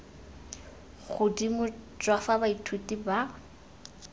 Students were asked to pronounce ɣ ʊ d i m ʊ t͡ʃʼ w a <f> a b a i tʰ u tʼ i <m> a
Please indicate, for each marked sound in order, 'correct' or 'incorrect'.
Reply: correct, incorrect

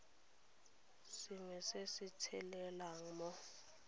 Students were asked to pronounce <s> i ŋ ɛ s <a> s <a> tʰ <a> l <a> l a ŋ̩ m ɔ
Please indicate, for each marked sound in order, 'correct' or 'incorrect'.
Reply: correct, incorrect, incorrect, incorrect, incorrect

